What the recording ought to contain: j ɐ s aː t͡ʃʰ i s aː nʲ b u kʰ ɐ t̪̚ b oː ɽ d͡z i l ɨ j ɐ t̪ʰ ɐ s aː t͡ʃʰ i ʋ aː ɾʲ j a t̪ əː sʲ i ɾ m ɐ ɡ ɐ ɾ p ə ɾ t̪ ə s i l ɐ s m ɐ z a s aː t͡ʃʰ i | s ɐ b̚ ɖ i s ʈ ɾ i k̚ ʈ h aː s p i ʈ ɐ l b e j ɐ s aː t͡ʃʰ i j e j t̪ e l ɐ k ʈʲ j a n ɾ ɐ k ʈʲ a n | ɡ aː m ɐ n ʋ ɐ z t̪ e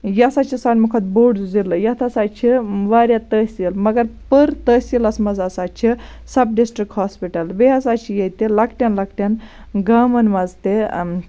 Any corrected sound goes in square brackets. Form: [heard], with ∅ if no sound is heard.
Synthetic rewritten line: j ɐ s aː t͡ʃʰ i s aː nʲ [m] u kʰ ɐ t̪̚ b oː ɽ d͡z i l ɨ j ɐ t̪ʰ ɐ s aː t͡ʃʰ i ʋ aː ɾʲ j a t̪ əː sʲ i [l] m ɐ ɡ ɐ ɾ p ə ɾ t̪ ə s i l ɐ s m ɐ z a s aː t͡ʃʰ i | s ɐ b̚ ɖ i s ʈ ɾ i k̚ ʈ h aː s p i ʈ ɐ l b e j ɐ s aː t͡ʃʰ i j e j t̪ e l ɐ k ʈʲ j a n [l] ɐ k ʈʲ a n | ɡ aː m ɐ n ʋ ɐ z t̪ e